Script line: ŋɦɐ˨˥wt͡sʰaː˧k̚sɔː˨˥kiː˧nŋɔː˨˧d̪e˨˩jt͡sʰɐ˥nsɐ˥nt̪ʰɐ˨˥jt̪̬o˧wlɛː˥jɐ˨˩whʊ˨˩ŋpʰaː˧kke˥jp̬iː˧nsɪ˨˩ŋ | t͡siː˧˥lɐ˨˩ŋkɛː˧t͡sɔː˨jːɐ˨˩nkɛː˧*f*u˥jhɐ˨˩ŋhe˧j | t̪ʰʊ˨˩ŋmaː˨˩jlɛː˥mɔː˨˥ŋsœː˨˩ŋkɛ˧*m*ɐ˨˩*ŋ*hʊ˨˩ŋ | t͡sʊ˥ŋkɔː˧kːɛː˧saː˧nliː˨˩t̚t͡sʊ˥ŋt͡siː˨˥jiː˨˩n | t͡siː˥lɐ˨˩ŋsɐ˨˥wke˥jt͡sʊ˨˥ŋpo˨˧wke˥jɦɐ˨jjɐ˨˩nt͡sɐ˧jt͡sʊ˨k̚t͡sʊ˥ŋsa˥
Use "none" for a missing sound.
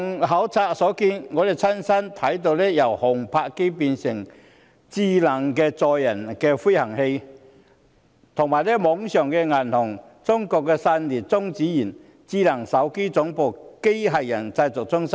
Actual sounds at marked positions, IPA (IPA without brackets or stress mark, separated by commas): f, ŋ, n